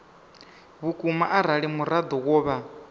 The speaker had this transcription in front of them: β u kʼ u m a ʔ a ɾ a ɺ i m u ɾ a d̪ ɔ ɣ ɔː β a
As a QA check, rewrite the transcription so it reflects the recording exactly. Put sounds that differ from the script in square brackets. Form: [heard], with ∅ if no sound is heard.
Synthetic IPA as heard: β u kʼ u m a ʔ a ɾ a ɺ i m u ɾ a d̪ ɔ ɣ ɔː β a